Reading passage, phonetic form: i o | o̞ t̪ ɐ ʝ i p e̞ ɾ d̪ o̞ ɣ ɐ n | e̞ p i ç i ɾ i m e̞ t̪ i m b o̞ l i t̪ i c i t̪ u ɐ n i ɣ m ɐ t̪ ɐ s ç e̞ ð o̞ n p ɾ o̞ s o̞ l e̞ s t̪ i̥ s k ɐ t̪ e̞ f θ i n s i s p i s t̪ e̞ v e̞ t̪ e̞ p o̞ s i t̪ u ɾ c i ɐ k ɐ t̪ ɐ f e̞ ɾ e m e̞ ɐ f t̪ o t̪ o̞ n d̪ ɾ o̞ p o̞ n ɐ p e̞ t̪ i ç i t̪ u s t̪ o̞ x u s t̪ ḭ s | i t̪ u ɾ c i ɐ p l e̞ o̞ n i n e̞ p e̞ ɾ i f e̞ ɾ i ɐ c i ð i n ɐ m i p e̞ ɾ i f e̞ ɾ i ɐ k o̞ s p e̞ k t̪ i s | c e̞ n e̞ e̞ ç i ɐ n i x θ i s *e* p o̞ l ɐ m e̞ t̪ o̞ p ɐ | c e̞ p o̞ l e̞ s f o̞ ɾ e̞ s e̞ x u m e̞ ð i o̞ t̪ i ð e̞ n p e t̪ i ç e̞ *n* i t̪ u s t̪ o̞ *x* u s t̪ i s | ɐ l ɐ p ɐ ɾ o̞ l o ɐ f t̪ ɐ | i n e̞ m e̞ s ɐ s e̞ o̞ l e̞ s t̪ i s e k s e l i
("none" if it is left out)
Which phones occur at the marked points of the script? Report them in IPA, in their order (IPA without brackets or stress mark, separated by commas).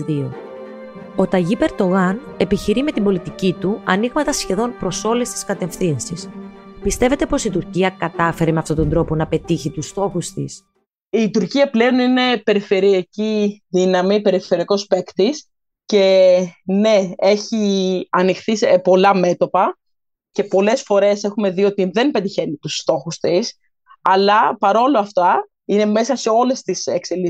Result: e, n, x